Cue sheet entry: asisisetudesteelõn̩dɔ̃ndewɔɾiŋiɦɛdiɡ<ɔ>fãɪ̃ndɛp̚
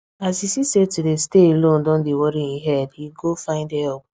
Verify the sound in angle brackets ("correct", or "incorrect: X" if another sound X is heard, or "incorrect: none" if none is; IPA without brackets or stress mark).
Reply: incorrect: o